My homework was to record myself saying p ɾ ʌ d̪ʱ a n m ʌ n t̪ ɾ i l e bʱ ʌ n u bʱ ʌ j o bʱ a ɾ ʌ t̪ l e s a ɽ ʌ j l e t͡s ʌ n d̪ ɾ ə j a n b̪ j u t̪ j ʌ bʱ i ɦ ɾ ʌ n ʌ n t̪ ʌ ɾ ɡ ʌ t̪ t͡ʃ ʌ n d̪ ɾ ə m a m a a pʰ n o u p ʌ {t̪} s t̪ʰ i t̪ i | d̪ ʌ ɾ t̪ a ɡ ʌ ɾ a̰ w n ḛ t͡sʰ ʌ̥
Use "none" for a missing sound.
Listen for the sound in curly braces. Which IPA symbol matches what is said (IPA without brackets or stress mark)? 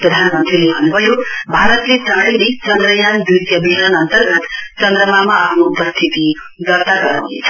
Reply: none